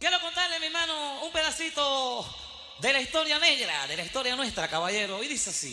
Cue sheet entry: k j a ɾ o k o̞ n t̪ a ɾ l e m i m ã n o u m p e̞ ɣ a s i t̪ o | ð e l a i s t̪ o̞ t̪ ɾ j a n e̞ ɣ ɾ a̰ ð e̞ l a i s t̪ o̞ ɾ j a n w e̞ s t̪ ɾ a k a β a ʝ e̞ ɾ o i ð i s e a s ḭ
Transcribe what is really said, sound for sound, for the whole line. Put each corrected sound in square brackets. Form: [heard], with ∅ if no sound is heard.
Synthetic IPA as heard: k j [e] ɾ o k o̞ n t̪ a ɾ l e m i m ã n o u m p e̞ [ð] a s i t̪ o | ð e l a i s t̪ o̞ [∅] ɾ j a n e̞ ɣ ɾ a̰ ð e̞ l a i s t̪ o̞ ɾ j a n w e̞ s t̪ ɾ a k a β a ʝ e̞ ɾ o i ð i s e a s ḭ